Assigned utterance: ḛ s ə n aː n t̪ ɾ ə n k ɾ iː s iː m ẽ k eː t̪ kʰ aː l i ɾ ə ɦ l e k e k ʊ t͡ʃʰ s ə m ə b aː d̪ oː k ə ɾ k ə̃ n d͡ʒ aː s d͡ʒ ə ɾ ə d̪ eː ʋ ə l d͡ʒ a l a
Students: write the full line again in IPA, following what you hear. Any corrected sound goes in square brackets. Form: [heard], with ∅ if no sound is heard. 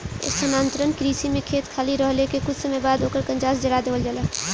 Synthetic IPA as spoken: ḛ s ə n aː n t̪ ɾ ə n k ɾ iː s [i] m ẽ [kʰ] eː t̪ kʰ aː l i ɾ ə ɦ l e k e k ʊ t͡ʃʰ s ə m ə b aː d̪ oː k ə ɾ k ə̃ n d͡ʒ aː s d͡ʒ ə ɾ [a] d̪ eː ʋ ə l d͡ʒ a l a